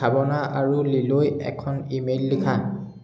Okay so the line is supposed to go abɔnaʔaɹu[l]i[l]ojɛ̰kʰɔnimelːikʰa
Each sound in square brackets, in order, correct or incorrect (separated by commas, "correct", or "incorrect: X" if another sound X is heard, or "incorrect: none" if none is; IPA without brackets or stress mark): correct, correct